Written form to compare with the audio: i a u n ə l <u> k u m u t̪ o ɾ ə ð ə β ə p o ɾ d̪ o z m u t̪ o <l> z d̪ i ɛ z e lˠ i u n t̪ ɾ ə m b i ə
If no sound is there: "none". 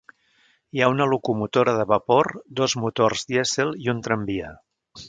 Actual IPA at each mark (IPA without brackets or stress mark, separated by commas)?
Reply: u, r